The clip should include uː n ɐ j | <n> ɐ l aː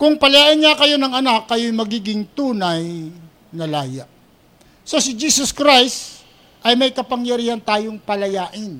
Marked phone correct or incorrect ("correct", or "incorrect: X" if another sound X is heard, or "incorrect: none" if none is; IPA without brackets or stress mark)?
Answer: correct